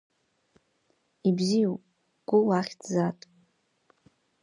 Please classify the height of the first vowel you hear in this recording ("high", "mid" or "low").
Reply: high